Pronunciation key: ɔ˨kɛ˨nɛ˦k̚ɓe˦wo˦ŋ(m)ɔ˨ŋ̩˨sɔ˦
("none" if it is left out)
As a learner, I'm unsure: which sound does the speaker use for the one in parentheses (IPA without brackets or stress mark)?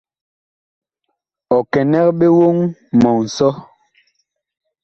m